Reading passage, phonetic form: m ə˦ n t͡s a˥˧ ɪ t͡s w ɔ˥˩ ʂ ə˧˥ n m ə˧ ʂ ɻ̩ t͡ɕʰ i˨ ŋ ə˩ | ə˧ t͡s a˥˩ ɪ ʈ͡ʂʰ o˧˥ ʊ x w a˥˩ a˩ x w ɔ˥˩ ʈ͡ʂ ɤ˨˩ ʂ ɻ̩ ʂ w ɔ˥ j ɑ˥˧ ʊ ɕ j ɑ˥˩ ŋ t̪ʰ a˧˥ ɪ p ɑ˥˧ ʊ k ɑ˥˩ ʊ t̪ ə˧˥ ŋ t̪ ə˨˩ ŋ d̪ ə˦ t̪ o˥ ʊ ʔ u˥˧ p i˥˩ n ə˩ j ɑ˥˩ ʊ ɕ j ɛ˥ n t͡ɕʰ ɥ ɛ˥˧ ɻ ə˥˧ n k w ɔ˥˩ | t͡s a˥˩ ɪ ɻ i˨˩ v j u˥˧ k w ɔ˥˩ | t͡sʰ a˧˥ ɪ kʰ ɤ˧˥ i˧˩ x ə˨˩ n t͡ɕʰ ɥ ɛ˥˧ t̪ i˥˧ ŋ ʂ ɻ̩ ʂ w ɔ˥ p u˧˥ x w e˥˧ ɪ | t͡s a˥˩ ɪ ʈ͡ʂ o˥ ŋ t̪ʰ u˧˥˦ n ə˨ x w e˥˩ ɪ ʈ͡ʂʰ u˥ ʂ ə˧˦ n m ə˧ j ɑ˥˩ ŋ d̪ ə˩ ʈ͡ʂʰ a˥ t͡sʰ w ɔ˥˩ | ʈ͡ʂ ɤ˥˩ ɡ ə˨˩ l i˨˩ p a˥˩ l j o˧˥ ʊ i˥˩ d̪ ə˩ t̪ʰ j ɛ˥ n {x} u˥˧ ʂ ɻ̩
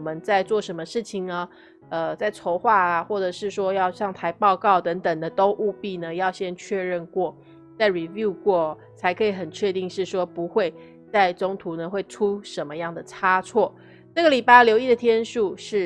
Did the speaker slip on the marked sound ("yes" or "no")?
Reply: yes